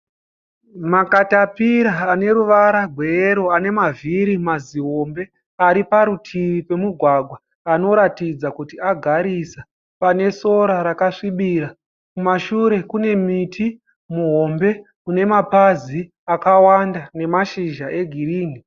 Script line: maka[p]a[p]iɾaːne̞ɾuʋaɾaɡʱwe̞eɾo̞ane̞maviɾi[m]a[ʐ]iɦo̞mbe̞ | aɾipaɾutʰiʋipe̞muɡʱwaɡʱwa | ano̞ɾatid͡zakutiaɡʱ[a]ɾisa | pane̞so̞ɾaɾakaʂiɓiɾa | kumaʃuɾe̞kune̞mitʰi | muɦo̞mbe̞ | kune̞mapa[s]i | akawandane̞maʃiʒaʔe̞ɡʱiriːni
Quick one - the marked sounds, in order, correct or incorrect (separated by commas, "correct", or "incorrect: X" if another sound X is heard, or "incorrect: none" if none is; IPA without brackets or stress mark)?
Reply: incorrect: t, correct, correct, incorrect: z, correct, incorrect: z